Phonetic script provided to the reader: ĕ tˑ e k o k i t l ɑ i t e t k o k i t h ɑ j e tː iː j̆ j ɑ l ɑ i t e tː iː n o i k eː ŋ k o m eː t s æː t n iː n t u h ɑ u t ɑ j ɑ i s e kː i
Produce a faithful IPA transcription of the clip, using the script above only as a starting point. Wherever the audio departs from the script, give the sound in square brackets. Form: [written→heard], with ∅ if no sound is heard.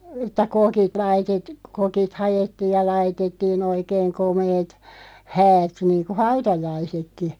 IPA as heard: ĕ tˑ [e→æ] k o k i t l ɑ i t e t k o k i t h ɑ j e tː iː j̆ j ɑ l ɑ i t e tː iː n o i k eː ŋ k o m eː t [s→h] æː t n iː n [t→k] u h ɑ u t ɑ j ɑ i s e kː i